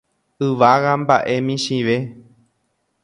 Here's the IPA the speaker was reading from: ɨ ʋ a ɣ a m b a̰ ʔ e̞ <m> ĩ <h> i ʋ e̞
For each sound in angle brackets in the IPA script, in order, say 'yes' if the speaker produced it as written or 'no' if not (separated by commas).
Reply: yes, no